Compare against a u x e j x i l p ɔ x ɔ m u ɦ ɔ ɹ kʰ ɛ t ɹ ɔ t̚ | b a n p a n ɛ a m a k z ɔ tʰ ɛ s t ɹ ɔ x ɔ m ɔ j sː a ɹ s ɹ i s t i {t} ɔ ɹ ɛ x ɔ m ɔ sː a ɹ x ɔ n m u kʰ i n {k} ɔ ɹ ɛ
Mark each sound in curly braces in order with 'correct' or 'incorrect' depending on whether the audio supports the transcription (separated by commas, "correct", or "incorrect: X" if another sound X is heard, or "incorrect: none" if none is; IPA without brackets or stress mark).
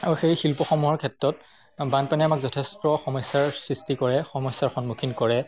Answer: incorrect: k, correct